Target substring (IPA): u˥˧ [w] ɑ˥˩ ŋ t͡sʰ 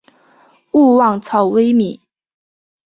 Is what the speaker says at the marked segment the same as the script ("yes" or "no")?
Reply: yes